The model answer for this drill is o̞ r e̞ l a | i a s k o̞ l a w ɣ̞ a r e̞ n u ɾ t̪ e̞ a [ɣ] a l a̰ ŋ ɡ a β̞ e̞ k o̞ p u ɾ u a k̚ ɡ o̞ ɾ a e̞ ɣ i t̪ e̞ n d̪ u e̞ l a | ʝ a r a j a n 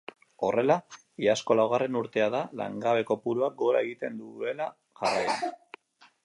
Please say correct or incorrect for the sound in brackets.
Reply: incorrect